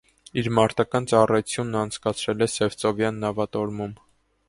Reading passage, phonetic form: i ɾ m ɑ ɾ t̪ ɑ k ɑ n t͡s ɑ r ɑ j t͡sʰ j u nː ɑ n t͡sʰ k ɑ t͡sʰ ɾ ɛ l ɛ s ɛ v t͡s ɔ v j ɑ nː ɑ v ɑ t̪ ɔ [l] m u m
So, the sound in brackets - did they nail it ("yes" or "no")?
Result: no